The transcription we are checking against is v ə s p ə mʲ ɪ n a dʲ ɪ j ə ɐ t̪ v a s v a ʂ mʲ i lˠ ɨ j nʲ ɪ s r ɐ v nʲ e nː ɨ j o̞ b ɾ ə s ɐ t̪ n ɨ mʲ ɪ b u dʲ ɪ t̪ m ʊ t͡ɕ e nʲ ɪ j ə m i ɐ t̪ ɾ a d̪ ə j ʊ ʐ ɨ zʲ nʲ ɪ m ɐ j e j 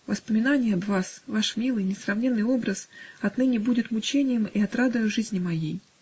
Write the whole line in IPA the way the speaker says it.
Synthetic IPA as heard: v ə s p ə mʲ ɪ n a nʲ ɪ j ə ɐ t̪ v a s v a ʂ mʲ i lˠ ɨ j nʲ ɪ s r ɐ v nʲ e nː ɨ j o̞ b ɾ ə s ɐ t̪ n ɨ nʲ ɪ b u dʲ ɪ t̪ m ʊ t͡ɕ e nʲ ɪ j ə m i ɐ t̪ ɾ a d̪ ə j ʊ ʐ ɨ zʲ nʲ ɪ m ɐ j e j